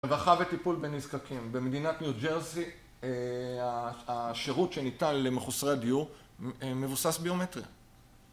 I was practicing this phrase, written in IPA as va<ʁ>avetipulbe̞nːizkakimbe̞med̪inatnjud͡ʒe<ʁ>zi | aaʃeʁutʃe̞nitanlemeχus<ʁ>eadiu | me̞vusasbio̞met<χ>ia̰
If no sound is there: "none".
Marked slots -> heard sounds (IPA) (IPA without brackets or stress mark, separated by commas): χ, ʁ, ʁ, ʁ